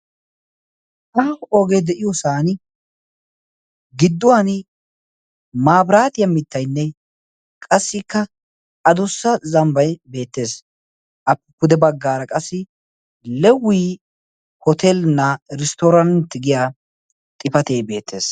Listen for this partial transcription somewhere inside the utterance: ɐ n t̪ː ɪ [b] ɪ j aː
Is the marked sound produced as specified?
no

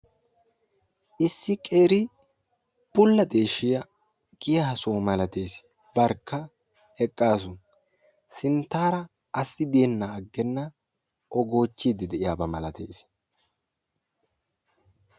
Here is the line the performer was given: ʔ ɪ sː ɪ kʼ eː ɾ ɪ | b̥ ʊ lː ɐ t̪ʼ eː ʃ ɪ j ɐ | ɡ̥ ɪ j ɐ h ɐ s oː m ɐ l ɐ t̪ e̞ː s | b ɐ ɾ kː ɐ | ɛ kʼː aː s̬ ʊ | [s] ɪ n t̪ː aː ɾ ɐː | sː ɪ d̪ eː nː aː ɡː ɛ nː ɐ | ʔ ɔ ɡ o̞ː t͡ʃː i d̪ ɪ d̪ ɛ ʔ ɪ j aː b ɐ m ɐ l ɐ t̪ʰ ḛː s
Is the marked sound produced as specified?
yes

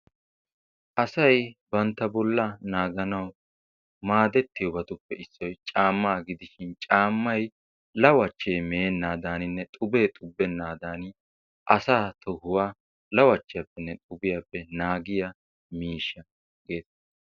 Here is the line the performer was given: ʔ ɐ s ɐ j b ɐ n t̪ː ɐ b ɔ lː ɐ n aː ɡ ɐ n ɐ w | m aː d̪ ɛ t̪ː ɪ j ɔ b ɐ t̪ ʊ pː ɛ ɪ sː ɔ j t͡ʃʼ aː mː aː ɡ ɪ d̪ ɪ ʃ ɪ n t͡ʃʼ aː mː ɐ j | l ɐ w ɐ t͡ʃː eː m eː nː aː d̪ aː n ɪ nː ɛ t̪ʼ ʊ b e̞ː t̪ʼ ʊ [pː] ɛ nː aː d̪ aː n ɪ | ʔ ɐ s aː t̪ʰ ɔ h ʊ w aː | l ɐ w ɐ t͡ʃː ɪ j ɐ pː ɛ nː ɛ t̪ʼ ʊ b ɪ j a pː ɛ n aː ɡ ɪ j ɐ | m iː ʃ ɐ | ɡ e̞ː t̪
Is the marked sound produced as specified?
no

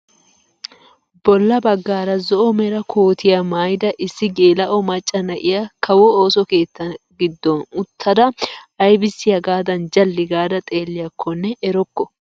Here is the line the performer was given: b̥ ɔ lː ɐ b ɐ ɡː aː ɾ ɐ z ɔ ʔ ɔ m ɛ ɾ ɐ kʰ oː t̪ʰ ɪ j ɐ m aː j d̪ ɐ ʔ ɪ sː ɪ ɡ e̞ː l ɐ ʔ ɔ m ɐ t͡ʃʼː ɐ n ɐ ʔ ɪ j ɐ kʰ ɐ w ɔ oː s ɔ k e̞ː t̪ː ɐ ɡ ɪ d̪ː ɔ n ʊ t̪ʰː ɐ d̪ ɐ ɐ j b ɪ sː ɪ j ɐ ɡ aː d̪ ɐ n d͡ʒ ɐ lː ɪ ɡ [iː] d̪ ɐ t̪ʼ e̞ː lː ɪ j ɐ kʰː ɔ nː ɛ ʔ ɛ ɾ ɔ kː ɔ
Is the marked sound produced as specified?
no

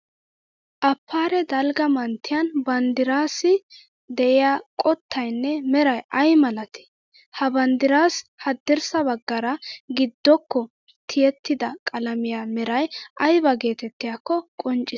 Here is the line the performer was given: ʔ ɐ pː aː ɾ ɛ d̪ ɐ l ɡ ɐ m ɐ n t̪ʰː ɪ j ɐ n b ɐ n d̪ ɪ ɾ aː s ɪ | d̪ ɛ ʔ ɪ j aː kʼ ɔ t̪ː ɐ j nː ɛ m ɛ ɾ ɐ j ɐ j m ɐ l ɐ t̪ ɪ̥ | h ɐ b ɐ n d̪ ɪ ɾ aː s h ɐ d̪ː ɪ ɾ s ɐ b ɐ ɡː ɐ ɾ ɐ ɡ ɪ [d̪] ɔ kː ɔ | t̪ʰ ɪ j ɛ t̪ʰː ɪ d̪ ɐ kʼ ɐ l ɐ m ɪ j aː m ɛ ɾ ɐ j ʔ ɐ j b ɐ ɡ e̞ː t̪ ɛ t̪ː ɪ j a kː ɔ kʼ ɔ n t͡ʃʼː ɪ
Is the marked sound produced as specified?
no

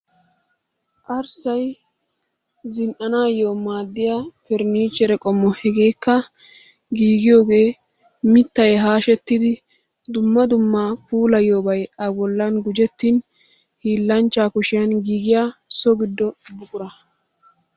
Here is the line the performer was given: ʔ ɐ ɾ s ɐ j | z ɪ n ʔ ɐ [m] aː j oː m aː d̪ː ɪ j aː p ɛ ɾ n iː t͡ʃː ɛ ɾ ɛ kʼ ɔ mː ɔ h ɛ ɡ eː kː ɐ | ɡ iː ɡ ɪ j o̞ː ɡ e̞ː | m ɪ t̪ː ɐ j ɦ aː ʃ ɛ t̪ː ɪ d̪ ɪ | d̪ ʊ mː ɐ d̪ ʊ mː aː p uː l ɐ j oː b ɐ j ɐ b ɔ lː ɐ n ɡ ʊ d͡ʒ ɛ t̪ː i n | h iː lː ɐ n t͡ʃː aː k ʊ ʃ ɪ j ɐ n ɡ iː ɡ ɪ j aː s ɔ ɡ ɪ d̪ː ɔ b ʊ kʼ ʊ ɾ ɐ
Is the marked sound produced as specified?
no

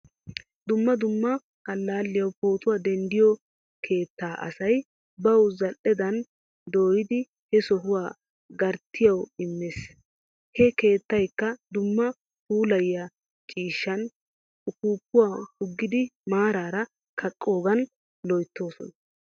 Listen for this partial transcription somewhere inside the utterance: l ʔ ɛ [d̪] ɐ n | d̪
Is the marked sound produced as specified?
yes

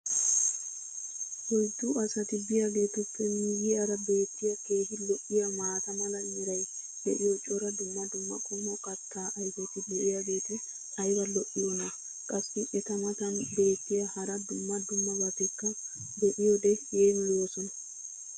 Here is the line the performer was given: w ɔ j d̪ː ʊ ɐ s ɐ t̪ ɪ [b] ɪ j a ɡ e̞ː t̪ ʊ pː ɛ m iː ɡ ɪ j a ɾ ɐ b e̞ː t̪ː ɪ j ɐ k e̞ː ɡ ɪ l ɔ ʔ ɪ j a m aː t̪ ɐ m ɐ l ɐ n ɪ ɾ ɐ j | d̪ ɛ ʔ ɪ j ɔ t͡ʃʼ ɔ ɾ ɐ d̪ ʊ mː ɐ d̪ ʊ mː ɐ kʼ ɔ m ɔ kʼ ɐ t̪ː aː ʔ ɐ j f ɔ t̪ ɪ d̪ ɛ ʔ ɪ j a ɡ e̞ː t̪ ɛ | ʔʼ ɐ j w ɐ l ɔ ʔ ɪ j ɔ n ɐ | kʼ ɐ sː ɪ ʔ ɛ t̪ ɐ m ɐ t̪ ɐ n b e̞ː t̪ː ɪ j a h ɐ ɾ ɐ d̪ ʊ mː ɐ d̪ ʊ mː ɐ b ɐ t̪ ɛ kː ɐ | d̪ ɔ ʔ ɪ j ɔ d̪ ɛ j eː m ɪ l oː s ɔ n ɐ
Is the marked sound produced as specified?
yes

